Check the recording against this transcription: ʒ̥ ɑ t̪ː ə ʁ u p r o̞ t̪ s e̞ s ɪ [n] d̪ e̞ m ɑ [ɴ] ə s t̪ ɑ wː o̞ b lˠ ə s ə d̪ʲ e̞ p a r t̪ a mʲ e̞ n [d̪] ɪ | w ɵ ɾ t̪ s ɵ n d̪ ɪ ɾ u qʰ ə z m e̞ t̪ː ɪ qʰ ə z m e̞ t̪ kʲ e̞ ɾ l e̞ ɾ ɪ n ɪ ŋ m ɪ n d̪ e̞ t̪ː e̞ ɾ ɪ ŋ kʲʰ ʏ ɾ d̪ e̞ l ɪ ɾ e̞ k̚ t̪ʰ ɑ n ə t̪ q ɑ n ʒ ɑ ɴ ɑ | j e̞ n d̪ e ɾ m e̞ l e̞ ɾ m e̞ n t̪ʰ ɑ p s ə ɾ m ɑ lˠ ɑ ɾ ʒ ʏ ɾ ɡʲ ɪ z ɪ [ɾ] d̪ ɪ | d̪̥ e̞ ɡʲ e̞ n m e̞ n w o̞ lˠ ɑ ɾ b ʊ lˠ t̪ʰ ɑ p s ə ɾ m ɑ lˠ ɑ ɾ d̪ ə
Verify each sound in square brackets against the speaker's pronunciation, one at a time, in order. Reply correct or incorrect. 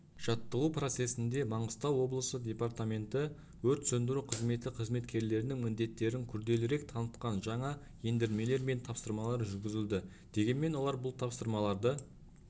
correct, correct, incorrect: t̪, incorrect: l

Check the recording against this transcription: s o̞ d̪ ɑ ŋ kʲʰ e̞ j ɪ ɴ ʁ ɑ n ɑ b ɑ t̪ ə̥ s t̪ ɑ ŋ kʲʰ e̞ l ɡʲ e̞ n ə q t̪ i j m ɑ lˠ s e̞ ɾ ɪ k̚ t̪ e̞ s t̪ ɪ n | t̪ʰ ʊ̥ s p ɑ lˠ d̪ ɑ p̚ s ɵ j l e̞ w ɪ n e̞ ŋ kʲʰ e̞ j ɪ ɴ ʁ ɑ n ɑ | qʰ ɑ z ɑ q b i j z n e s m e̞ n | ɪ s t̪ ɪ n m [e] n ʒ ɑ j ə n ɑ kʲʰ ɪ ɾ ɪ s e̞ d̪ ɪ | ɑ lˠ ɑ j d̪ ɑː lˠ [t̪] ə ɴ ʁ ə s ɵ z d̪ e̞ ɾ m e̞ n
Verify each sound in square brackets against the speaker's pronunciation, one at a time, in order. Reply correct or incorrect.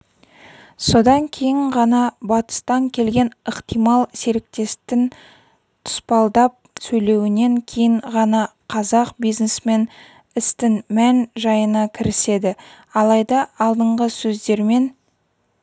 incorrect: æ, incorrect: d̪

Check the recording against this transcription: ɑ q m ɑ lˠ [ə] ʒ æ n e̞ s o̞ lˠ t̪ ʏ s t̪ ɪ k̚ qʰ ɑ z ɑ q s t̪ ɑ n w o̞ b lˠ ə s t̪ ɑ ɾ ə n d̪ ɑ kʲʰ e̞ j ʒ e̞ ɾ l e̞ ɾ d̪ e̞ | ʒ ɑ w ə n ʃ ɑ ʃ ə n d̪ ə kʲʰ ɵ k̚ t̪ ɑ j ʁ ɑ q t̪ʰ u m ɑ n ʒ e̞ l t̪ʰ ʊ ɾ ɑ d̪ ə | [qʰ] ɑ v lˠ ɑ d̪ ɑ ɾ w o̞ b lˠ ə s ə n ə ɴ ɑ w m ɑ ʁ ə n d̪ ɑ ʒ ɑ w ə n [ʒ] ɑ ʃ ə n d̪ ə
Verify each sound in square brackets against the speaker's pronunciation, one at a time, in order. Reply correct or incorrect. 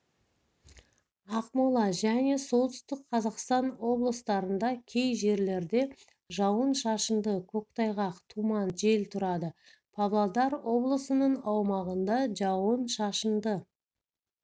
incorrect: ɑ, incorrect: pʰ, incorrect: ʃ

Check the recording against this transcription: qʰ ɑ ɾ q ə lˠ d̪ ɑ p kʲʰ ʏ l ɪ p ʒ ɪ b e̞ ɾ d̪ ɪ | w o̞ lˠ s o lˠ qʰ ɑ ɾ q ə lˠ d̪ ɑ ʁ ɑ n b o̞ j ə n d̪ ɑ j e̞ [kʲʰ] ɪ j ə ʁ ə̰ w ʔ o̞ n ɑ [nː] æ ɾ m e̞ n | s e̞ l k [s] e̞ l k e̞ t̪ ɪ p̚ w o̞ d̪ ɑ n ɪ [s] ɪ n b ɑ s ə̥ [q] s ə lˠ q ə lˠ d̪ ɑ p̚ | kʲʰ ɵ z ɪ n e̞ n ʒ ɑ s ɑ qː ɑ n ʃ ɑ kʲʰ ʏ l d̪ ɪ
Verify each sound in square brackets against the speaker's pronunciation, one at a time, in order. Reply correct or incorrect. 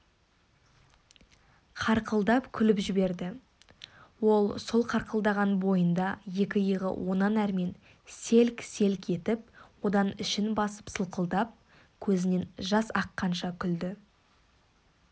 incorrect: kʲ, incorrect: n, correct, incorrect: ʃ, incorrect: p

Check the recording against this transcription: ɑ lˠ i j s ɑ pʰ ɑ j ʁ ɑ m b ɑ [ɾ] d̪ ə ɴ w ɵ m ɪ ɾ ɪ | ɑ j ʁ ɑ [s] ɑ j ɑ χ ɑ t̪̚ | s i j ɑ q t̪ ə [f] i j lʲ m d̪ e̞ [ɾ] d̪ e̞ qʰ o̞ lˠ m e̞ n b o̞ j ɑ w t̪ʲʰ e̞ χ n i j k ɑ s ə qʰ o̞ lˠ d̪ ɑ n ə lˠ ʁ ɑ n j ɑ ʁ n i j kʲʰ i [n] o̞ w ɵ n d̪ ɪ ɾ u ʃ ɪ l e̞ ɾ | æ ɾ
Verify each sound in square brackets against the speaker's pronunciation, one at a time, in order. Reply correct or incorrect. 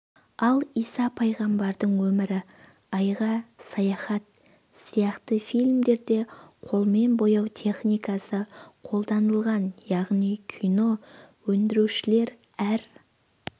correct, correct, correct, correct, correct

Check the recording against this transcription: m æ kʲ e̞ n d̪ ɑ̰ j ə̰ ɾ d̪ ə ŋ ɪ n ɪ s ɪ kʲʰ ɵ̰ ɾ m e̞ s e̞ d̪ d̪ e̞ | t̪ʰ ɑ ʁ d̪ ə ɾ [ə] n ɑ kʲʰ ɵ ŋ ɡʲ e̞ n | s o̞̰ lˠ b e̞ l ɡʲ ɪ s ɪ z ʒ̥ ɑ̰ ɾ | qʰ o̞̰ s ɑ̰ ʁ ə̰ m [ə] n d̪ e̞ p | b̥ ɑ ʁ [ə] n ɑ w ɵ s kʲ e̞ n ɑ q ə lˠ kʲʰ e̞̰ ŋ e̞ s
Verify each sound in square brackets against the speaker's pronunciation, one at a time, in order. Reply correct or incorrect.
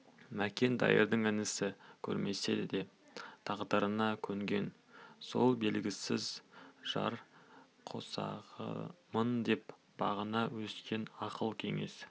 correct, correct, correct

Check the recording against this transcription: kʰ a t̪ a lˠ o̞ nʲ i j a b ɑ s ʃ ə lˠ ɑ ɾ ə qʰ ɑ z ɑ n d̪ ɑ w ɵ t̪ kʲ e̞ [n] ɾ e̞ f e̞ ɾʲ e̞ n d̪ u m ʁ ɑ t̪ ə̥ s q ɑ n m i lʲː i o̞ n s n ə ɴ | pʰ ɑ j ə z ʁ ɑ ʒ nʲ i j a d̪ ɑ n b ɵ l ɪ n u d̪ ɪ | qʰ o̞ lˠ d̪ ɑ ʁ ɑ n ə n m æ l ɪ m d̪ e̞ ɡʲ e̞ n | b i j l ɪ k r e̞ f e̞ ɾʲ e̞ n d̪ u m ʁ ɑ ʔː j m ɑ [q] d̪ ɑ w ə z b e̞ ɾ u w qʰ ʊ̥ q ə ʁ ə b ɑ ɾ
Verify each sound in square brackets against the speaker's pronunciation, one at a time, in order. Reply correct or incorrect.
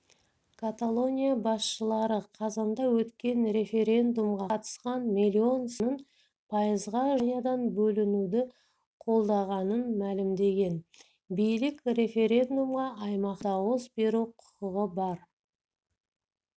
correct, correct

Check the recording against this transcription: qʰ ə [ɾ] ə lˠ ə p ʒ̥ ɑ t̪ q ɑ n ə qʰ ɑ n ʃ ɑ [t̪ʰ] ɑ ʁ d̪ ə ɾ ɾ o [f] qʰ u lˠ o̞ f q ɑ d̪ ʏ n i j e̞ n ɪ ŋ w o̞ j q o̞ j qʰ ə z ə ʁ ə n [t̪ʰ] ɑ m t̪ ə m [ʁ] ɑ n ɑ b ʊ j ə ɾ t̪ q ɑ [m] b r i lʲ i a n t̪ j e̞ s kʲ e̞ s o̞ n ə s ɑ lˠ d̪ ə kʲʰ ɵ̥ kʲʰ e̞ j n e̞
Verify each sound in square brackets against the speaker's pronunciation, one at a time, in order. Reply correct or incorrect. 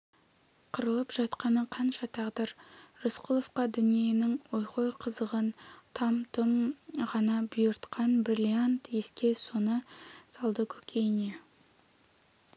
correct, correct, incorrect: s, correct, correct, incorrect: n

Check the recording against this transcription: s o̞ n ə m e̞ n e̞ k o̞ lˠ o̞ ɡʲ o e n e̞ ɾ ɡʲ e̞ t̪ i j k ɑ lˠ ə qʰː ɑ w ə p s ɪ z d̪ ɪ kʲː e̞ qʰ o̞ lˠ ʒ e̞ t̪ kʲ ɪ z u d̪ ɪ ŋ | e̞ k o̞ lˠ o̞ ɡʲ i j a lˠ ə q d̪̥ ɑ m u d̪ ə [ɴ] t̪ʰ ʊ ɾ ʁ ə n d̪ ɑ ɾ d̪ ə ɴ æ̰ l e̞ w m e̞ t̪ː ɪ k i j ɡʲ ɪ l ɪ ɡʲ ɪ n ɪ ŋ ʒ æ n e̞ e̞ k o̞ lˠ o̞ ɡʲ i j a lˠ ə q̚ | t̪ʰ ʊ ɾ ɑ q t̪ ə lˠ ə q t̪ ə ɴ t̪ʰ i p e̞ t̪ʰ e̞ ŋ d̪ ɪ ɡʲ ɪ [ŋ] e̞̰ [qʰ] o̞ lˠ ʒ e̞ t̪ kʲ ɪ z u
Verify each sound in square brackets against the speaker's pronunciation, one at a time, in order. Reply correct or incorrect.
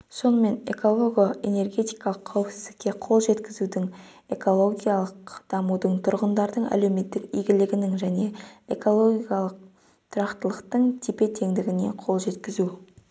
correct, incorrect: n, correct

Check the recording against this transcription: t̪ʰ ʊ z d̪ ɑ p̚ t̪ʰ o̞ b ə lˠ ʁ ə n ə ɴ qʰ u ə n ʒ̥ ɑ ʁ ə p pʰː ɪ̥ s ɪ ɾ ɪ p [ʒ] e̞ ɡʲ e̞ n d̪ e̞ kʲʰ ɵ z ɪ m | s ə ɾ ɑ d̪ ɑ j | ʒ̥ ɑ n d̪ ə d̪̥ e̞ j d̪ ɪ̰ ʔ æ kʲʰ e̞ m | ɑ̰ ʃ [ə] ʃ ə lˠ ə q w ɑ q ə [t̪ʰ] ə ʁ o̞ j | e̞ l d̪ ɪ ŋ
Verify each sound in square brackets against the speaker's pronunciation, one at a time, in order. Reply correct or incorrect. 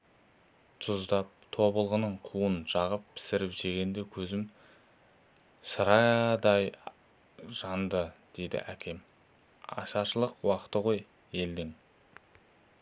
correct, incorrect: ɑ, incorrect: t̪

